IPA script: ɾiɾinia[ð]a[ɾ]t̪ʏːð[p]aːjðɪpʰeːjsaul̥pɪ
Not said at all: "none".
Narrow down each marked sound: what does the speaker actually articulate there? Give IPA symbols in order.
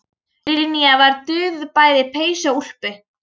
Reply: v, ɾ, p

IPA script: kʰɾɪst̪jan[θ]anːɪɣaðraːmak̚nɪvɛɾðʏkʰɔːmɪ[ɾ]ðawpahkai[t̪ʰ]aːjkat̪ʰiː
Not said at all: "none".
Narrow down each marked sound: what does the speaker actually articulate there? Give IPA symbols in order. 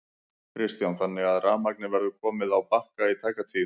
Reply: θ, none, t̪ʰ

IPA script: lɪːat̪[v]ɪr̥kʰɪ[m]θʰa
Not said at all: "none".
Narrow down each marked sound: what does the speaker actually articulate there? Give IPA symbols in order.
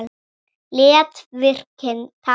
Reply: v, n

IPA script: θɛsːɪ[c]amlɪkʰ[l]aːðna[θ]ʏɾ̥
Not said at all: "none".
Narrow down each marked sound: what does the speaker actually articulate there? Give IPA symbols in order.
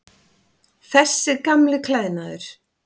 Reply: k, l, ð

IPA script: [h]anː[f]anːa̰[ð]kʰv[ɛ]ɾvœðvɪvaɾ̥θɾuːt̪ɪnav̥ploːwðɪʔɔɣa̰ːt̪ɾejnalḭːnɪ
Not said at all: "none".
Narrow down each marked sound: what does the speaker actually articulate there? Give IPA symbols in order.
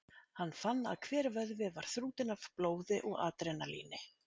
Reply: h, f, ð, ɛː

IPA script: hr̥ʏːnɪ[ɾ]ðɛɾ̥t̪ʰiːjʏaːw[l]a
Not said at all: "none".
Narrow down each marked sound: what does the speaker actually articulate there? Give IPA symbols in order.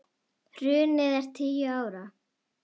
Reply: none, ɾ

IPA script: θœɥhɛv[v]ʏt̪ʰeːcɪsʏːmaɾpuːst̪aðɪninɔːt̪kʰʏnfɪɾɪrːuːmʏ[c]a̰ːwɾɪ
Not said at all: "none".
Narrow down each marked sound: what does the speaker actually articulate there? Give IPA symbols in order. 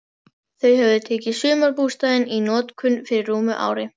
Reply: ð, ʔ

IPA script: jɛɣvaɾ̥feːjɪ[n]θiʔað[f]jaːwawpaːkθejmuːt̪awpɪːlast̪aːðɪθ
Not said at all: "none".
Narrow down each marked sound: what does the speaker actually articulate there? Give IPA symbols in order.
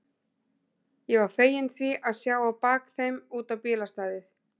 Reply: n, s

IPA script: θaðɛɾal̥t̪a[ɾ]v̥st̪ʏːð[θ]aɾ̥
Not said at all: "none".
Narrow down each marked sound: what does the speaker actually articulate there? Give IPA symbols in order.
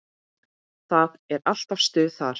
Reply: none, θ

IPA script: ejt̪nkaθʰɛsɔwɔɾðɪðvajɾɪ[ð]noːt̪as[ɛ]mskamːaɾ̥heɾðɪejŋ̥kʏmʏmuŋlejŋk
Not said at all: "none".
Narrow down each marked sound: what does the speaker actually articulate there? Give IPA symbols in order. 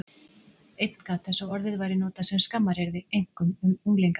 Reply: none, ɛ

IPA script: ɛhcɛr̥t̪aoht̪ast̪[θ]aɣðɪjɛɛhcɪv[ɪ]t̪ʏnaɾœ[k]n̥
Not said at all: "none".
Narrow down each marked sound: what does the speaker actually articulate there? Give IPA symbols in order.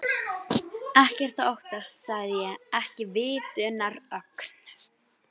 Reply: s, ɪː, k

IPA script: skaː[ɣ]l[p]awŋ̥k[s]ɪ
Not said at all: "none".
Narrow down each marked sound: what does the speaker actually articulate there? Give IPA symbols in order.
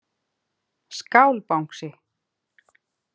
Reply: w, p, s

